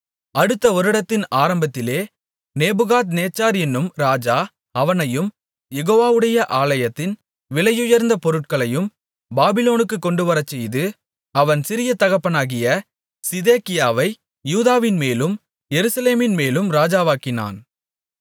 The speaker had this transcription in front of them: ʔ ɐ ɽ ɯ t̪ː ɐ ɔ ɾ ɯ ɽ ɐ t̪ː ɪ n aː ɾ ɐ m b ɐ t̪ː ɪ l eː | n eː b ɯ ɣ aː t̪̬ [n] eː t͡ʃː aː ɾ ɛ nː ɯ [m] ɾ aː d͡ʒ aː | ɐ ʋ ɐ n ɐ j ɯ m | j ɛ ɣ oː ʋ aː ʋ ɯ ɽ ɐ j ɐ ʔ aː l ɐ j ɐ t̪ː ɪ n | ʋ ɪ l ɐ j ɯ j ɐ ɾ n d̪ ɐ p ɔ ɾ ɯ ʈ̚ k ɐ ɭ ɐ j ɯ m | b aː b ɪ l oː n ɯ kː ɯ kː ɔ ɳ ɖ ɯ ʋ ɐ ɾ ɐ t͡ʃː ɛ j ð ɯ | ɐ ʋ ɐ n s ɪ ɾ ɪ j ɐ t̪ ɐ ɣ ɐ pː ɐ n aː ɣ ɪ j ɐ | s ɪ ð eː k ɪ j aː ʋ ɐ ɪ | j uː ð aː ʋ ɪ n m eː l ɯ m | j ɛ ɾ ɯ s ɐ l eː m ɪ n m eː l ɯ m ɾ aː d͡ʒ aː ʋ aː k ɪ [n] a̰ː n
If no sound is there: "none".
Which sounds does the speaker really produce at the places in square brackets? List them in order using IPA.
n, m, n

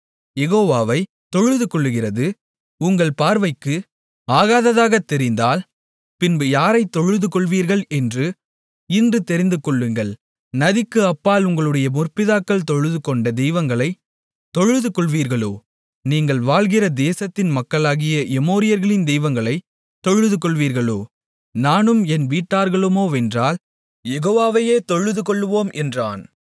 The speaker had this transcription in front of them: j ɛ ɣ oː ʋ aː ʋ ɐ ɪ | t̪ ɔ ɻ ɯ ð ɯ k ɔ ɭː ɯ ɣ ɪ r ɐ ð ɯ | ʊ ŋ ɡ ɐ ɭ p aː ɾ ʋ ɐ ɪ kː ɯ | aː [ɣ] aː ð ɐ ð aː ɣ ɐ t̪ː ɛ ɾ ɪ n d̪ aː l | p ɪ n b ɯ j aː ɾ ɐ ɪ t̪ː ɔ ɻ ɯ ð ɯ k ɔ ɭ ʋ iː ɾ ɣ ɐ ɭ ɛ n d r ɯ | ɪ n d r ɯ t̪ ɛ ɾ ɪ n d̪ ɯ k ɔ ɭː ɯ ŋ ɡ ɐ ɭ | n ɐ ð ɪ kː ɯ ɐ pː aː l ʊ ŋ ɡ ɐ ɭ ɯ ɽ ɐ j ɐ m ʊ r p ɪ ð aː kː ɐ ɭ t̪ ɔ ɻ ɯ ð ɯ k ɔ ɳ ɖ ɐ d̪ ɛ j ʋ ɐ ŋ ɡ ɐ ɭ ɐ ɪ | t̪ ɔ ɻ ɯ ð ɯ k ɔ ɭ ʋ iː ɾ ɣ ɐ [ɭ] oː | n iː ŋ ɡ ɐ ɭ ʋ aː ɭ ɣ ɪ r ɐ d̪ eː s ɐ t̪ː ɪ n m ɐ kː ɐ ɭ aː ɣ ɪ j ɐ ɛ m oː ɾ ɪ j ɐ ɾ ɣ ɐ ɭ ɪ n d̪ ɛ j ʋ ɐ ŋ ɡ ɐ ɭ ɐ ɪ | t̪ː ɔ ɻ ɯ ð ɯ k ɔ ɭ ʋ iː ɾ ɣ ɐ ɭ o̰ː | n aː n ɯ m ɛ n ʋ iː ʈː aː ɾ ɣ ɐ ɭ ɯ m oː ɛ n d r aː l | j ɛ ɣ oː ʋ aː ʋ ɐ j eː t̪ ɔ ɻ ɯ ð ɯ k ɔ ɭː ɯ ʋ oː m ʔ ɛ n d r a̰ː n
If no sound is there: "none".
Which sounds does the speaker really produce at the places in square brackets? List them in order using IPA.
ɣ, ɭ

